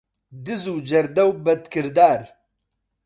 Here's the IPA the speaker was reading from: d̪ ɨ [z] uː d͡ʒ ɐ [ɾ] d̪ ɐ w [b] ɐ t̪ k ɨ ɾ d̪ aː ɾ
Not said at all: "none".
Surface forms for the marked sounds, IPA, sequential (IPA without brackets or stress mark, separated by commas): z, ɾ, b